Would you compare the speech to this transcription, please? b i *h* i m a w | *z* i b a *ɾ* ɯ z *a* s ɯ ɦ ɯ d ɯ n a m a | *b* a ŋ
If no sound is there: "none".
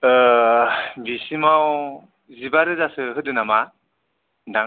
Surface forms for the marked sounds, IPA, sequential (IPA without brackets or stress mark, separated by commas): s, z, ɾ, a, d